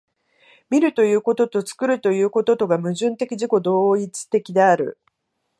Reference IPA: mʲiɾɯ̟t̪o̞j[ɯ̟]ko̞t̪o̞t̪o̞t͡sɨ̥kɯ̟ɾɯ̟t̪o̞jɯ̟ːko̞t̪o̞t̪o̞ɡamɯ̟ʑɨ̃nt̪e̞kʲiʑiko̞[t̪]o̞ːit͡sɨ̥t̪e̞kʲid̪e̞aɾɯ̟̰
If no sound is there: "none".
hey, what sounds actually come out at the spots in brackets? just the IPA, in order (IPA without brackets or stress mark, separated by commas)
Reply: ɯ̟ː, d̪